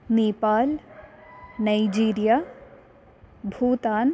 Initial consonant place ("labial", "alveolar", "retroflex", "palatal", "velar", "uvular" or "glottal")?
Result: alveolar